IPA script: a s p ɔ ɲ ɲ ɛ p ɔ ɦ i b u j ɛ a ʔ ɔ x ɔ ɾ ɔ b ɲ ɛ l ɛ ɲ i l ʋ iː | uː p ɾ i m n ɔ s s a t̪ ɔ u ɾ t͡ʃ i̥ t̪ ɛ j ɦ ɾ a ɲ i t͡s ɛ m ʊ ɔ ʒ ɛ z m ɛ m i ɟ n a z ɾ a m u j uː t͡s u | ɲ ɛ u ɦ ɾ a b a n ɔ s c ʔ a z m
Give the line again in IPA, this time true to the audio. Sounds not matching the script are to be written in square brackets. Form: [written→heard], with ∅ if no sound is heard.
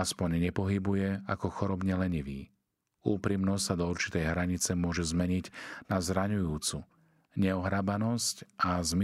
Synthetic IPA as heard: a s p ɔ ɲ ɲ ɛ p ɔ ɦ i b u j ɛ a [ʔ→k] ɔ x ɔ ɾ ɔ b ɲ ɛ l ɛ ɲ i [l→∅] ʋ iː | uː p ɾ i m n ɔ s s a [t̪→d̪] ɔ u ɾ t͡ʃ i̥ t̪ ɛ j ɦ ɾ a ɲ i t͡s ɛ m ʊ ɔ ʒ ɛ z m ɛ [m→ɲ] i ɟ n a z ɾ a [m→ɲ] u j uː t͡s u | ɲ ɛ [u→ɔ] ɦ ɾ a b a n ɔ s c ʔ a z m